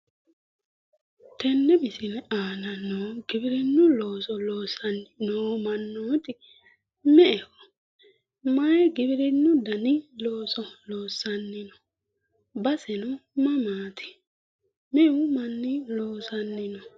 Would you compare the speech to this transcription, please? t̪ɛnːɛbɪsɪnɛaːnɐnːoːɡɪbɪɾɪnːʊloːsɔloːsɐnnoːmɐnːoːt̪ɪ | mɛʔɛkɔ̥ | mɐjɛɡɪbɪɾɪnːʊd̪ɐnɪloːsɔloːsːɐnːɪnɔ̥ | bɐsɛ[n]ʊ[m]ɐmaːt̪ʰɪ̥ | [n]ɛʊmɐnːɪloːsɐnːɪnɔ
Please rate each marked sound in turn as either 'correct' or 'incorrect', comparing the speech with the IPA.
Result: correct, correct, incorrect

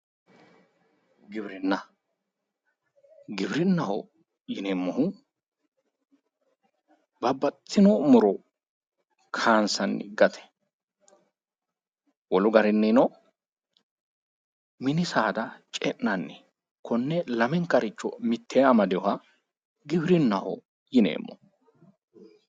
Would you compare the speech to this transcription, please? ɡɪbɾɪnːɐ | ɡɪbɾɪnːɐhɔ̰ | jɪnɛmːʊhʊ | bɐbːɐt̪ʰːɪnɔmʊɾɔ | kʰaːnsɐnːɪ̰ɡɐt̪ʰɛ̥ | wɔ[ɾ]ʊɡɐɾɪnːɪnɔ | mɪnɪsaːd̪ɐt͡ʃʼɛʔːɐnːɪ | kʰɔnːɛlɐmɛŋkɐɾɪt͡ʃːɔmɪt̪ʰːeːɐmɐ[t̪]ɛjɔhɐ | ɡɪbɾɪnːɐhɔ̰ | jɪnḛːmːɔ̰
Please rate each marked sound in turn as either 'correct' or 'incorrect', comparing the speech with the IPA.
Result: incorrect, incorrect

